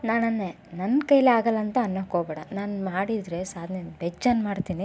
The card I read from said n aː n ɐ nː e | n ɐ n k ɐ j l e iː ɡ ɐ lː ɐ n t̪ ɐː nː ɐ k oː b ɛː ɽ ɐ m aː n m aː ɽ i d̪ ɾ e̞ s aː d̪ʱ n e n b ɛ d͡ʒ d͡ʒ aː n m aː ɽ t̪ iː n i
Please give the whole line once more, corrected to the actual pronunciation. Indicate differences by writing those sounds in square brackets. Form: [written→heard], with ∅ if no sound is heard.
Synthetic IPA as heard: n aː n ɐ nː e | n ɐ n k ɐ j l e [iː→aː] ɡ ɐ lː ɐ n t̪ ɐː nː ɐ k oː b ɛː ɽ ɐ [m→n] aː n m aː ɽ i d̪ ɾ e̞ s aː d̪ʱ n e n b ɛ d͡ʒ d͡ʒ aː n m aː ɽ t̪ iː n i